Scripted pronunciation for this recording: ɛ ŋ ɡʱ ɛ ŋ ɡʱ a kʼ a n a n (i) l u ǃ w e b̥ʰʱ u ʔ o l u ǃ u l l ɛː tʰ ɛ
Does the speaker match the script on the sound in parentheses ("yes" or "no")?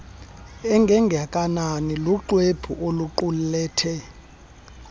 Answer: yes